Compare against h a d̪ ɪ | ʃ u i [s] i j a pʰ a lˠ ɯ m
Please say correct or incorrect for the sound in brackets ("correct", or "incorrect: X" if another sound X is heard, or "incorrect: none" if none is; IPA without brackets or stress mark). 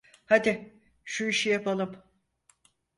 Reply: incorrect: ʃ